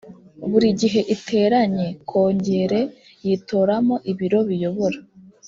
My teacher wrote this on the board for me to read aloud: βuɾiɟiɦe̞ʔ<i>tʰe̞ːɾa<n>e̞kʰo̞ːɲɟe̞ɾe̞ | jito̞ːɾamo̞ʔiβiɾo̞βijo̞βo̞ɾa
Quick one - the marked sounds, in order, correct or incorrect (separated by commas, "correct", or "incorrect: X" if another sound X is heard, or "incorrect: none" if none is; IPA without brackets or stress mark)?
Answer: correct, incorrect: ɲ